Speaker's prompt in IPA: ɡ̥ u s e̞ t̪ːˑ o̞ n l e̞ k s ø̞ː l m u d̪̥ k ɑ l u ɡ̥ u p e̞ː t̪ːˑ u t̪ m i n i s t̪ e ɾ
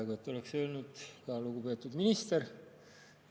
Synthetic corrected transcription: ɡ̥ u e̞ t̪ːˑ o̞ l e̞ k s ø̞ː l n u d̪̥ k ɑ l u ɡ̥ u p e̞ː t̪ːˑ u d̪ m i n i s t̪ e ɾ

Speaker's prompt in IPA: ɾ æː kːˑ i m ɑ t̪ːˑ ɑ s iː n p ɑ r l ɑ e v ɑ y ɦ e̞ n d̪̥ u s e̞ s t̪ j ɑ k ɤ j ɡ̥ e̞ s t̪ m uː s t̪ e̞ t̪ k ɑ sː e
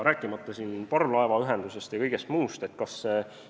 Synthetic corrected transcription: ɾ æː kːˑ i m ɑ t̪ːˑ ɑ s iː n p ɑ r l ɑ e v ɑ y ɦ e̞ n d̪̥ u s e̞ s t̪ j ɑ k ɤ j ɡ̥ e̞ s t̪ m uː s t̪ e̞ t̪ k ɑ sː e

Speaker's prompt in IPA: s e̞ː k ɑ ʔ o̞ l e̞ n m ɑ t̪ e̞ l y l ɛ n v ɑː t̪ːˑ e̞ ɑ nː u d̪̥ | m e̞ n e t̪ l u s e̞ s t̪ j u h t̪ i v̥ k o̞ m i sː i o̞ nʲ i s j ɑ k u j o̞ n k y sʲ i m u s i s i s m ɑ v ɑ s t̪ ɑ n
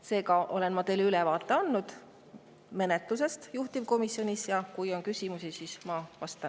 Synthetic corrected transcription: s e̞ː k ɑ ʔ o̞ l e̞ n m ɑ t̪ e̞ l y l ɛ v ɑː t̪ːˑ e̞ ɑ nː u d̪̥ | m e̞ n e t̪ l u s e̞ s t̪ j u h t̪ i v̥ k o̞ m i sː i o̞ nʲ i s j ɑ k u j o̞ n k y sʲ i m u s i s i s m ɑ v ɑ s t̪ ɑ n

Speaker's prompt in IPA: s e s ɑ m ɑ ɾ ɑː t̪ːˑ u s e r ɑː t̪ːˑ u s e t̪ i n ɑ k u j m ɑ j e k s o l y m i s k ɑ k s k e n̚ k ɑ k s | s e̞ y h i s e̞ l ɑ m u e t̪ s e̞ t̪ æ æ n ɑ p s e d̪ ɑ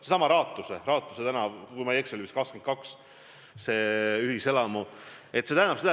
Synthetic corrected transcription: s e s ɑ m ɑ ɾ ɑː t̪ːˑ u s e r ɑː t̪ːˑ u s e t̪ æ n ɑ k u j m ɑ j e k s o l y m i s k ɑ k s k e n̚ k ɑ k s | s e̞ y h i s e̞ l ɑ m u e t̪ s e̞ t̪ æ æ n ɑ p s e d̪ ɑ

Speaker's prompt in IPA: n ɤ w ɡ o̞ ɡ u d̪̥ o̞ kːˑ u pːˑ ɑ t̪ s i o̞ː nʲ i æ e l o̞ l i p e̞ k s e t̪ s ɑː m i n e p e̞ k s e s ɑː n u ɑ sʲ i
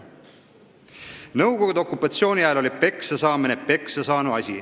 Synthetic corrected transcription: n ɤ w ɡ o̞ ɡ u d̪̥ o̞ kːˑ u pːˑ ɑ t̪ s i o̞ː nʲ i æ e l o̞ l i p e̞ k s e s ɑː m i n e p e̞ k s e s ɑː n u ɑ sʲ i

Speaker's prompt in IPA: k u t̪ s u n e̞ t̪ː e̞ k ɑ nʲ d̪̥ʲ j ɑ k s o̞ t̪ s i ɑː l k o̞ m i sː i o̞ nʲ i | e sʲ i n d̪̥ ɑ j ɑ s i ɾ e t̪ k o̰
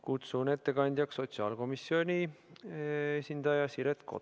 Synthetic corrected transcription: k u t̪ s u n e̞ t̪ː e̞ k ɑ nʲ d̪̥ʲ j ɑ k s o̞ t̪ s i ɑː l k o̞ m i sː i o̞ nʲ i | e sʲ i n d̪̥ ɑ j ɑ s i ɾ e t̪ k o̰

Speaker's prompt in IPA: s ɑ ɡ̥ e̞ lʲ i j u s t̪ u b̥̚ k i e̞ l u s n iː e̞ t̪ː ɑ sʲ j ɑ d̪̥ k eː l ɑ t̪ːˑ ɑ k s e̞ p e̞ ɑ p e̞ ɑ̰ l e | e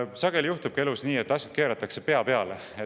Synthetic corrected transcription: s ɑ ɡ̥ e̞ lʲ i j u h t̪ u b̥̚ k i e̞ l u s n iː e̞ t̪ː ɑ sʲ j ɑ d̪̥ k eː ɾ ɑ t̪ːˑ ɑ k s e̞ p e̞ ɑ p e̞ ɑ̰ l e | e

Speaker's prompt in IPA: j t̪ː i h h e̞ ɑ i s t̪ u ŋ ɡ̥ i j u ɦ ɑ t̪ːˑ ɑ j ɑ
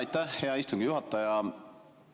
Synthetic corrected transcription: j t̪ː æ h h e̞ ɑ i s t̪ u ŋ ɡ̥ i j u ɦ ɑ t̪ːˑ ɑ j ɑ

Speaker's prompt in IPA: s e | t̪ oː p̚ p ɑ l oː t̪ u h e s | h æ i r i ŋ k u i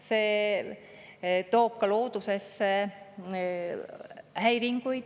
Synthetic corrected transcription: s e | t̪ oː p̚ k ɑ l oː t̪ u s e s | h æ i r i ŋ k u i

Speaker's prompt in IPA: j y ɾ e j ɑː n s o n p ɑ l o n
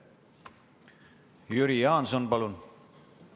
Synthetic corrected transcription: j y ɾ i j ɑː n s o n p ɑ l u n

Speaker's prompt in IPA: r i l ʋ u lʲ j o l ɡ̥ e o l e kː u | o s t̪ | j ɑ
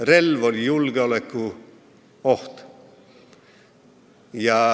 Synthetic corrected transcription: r e l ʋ o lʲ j u l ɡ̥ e o l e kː u | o h t̪ | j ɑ

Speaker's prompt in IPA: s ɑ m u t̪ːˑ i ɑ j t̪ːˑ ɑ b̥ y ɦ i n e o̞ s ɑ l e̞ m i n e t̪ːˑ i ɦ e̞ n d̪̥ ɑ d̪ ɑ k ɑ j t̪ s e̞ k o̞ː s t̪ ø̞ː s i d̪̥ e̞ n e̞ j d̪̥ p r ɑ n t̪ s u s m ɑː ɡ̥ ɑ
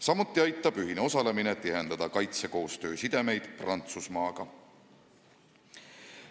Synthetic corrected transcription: s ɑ m u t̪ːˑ i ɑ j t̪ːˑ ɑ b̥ y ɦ i n e o̞ s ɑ l e̞ m i n e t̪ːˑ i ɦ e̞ n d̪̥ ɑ d̪ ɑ k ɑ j t̪ s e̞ k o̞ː s t̪ ø̞ː s i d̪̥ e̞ m e̞ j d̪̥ p r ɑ n t̪ s u s m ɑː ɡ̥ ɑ

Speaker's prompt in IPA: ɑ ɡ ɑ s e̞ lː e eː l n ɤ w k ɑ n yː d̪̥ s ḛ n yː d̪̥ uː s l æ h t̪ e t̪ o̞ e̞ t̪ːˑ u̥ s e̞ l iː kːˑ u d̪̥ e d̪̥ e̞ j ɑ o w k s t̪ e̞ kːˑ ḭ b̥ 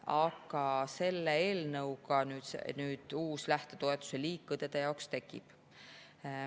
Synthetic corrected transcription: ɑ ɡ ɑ s e̞ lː e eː l n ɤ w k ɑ n yː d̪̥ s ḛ n yː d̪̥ uː s l æ h t̪ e t̪ o̞ e̞ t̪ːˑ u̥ s e̞ l iː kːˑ u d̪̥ e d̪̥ e̞ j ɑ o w k s t̪ e̞ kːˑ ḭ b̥

